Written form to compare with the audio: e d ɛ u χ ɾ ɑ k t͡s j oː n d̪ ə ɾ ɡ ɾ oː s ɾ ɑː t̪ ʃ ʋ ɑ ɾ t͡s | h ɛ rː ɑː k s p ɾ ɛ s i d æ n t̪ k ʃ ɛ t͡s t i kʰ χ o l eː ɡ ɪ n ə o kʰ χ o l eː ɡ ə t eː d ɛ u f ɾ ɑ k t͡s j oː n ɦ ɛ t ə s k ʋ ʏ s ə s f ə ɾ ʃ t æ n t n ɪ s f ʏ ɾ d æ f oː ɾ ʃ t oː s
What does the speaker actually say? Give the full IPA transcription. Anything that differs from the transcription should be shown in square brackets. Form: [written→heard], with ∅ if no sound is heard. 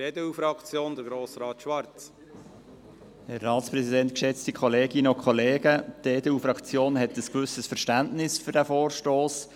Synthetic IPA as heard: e d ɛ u [χ→f] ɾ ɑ k t͡s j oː n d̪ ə ɾ ɡ ɾ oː s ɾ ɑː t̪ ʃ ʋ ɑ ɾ t͡s | h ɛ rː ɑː [k→t] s p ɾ ɛ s i d [æ→ɛ] n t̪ k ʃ ɛ t͡s t i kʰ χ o l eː ɡ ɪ n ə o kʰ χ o l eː ɡ ə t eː d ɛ u f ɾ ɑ k t͡s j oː n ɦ ɛ t ə s k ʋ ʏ s ə s f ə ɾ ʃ t æ n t n ɪ s f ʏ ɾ d æ f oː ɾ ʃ t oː s